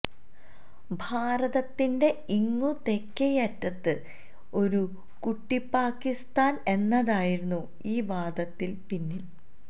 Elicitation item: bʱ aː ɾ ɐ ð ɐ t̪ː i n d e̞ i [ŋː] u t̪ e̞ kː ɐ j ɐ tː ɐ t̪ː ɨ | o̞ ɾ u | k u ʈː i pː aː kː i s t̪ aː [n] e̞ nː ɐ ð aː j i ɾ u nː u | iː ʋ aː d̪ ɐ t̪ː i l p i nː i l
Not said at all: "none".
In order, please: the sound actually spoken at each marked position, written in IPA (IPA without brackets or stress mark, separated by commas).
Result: ŋː, n